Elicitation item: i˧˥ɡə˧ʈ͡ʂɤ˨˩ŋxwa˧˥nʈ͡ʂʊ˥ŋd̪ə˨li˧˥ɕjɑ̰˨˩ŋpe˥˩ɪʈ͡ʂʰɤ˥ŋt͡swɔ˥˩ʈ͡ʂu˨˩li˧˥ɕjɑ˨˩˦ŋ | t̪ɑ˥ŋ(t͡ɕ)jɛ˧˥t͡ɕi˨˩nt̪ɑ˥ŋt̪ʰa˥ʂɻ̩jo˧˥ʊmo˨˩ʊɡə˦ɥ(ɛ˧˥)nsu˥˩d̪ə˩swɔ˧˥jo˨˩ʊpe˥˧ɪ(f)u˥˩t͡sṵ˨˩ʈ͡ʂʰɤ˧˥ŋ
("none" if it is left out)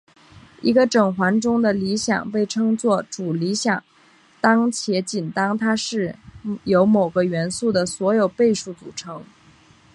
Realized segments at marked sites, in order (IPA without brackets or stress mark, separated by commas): t͡ɕʰ, ɛ˧˥, ʂ